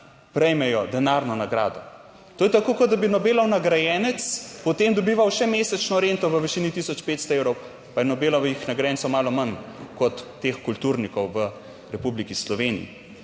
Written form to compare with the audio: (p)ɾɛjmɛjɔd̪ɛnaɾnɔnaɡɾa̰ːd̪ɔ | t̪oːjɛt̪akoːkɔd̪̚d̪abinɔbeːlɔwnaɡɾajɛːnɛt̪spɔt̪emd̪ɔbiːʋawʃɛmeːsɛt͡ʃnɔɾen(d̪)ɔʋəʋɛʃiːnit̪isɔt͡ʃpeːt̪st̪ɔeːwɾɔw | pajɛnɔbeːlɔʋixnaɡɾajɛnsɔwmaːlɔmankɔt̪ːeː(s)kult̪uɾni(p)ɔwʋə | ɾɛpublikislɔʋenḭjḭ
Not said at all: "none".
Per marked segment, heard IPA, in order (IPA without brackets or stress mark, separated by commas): p, t̪, x, k